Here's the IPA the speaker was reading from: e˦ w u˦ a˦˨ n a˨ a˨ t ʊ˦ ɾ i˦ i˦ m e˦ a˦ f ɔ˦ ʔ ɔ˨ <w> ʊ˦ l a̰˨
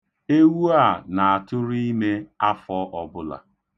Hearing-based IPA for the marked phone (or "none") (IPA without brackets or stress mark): b